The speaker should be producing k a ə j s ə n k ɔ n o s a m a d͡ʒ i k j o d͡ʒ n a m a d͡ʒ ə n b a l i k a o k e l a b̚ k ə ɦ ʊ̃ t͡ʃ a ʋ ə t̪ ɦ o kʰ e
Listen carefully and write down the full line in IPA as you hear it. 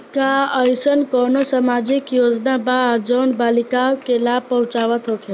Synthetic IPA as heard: k a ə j s ə n k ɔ n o s a m a d͡ʒ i k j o d͡ʒ n a b a d͡ʒ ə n b a l i k a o k e l a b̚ p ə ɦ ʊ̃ t͡ʃ a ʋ ə t̪ ɦ o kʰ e